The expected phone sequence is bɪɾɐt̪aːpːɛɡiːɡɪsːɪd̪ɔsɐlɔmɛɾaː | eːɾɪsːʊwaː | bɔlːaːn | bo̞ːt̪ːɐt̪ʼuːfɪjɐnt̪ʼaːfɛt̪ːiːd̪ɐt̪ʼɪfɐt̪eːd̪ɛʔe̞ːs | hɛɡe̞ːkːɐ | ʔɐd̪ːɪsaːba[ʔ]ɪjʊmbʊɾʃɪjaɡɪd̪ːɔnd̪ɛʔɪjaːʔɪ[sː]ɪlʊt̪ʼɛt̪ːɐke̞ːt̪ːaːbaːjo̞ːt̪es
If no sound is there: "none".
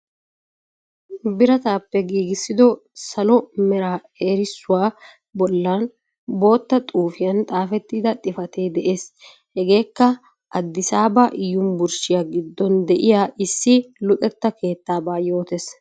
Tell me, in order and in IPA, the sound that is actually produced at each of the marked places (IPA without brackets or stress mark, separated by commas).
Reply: ʔ, sː